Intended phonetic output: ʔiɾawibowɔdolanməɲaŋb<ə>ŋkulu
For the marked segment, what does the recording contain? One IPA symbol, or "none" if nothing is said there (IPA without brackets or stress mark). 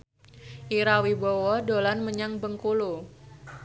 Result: ə